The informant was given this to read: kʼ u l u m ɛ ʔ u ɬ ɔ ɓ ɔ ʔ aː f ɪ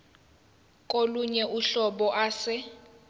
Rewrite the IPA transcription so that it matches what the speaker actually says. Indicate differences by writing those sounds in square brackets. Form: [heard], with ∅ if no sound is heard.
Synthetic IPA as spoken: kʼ [o] l u [ɲ] ɛ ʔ u ɬ ɔ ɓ ɔ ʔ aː [s] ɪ

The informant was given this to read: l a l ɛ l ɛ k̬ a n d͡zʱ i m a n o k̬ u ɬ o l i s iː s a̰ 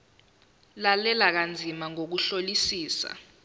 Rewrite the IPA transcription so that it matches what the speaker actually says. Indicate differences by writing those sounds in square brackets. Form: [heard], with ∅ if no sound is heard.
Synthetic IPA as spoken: l a l ɛ l [a] k̬ a n d͡zʱ i m a [ŋ] o k̬ u ɬ o l i s iː s a̰

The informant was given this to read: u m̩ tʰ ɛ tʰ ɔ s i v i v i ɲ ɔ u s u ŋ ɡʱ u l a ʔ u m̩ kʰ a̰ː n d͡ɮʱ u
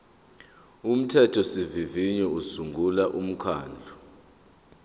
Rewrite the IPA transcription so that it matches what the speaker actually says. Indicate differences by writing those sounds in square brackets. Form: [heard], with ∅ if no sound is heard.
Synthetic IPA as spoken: u m̩ tʰ ɛ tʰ ɔ s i v i v i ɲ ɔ u s u ŋ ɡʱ u l a ʔ u m̩ kʰ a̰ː n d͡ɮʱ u

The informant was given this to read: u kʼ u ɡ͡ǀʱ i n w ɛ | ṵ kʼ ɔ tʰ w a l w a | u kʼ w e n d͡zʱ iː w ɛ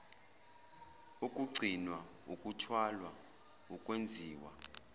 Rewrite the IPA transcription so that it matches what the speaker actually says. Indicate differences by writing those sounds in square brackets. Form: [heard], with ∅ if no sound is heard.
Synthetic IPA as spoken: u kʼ u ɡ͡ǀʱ i n w [a] | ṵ kʼ [u] tʰ w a l w a | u kʼ w e n d͡zʱ iː w [a]

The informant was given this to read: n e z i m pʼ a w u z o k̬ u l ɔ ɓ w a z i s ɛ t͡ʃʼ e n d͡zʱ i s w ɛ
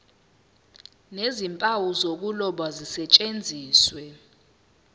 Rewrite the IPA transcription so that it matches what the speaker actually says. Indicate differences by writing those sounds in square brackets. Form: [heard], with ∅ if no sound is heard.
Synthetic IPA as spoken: n e z i m pʼ a w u z o k̬ u l ɔ ɓ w a z i s ɛ t͡ʃʼ e n d͡zʱ [iː] s w ɛ

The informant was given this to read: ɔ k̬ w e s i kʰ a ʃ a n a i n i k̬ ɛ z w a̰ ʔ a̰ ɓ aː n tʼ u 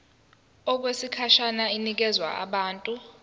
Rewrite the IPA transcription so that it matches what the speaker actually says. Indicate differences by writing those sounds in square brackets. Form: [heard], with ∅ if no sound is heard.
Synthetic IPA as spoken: ɔ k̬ w e s i kʰ a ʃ a n a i n i k̬ ɛ z w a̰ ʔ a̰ ɓ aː n tʼ u

